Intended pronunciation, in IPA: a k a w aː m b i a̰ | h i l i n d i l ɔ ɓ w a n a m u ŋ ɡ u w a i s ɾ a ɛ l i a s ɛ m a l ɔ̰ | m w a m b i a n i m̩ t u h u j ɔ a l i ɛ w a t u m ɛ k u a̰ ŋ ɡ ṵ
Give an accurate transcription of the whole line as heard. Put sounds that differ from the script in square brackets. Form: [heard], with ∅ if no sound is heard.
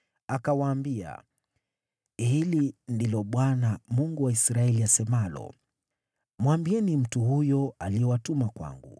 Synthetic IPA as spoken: a k a w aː m b i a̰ | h i l i n d i l ɔ ɓ w a n a m u ŋ ɡ u w a i s ɾ a ɛ l i a s ɛ m a l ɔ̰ | m w a m b i [ɛ] n i m̩ t u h u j ɔ a l i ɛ w a t u m [a] k [w] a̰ ŋ ɡ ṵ